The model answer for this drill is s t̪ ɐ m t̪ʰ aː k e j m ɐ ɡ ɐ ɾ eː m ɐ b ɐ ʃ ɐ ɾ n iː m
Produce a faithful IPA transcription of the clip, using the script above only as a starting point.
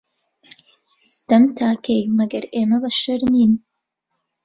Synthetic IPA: s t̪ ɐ m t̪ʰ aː k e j m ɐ ɡ ɐ ɾ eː m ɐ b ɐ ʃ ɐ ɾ n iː n

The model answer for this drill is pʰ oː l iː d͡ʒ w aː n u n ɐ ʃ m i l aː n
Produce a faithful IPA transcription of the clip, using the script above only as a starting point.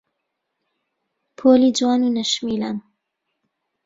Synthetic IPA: pʰ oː l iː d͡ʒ w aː n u n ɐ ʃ m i l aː n

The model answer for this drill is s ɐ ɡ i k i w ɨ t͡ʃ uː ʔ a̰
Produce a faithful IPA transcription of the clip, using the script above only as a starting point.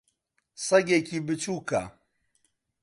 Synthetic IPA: s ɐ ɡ e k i b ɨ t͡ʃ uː k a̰

